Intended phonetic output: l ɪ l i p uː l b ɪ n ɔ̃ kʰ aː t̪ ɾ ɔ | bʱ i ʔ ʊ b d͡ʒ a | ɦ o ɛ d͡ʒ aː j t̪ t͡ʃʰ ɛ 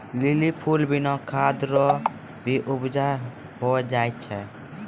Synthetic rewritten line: l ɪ l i pʰ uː l b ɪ n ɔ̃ kʰ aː d̪ ɾ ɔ | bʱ i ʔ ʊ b d͡ʒ a | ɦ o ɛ d͡ʒ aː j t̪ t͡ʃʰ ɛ